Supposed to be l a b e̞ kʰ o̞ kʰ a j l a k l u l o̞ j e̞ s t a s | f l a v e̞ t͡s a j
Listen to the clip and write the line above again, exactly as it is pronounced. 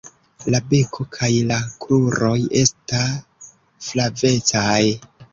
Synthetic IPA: l a b e̞ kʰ o̞ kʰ a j l a k l u ɾ o̞ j e̞ s t a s | f l a v e̞ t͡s a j